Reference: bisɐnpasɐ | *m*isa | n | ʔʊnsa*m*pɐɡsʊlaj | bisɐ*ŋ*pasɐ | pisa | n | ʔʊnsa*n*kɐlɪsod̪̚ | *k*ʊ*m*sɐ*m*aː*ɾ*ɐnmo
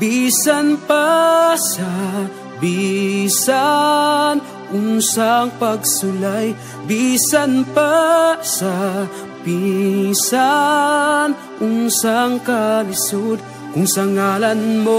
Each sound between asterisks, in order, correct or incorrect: incorrect: b, incorrect: ŋ, incorrect: n, incorrect: ŋ, correct, incorrect: ŋ, incorrect: ŋ, incorrect: l

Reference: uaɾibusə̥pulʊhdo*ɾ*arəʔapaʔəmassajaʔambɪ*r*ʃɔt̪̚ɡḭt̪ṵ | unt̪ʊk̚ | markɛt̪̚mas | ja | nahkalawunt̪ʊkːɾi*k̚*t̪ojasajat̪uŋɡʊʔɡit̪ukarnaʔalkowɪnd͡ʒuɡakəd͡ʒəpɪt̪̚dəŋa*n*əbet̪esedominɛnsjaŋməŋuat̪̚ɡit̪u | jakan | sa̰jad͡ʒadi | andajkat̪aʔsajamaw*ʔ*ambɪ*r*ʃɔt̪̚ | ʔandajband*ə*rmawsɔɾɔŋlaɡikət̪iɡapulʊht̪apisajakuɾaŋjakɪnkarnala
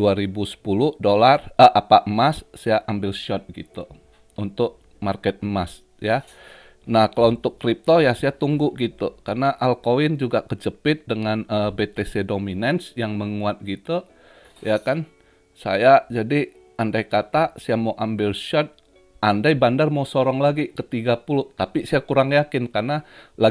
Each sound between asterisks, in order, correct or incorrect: incorrect: l, incorrect: l, incorrect: p̚, correct, correct, incorrect: l, incorrect: a

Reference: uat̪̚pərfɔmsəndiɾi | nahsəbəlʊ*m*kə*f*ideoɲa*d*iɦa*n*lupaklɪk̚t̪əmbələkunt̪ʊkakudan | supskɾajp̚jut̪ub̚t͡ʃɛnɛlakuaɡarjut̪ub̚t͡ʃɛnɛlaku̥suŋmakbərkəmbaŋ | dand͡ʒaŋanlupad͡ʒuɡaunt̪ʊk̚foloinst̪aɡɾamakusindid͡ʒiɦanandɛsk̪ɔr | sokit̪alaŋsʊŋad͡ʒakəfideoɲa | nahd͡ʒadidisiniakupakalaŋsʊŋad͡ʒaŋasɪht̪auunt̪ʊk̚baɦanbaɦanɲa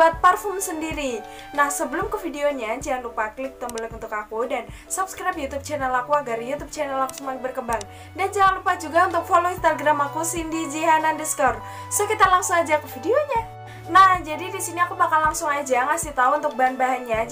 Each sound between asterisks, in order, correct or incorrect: correct, correct, incorrect: d͡ʒ, correct

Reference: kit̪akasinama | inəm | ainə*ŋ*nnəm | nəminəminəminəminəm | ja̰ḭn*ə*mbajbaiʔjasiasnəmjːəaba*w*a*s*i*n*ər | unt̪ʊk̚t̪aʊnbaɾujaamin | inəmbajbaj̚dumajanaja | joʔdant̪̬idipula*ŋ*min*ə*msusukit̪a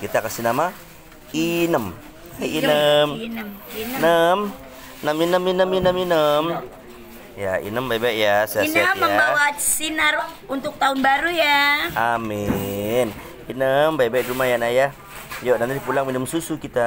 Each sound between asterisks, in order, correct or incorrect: incorrect: m, correct, correct, correct, correct, correct, correct

